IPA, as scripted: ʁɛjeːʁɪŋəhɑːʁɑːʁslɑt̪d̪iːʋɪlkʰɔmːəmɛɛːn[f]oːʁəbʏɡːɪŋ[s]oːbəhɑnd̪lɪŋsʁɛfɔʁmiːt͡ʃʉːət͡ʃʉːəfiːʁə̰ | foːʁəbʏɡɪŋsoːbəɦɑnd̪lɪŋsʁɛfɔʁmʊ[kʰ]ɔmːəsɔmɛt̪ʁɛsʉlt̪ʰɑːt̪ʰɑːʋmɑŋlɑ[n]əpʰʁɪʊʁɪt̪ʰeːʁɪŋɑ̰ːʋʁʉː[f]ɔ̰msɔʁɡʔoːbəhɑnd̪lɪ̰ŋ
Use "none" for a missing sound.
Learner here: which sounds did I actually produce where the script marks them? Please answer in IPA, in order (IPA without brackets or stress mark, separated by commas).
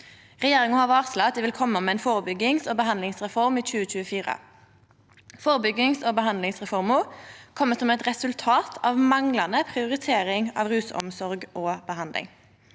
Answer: f, s, kʰ, n, s